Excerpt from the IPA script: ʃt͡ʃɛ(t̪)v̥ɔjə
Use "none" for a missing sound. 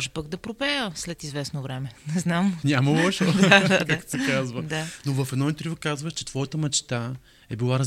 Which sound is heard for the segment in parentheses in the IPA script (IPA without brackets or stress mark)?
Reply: t̪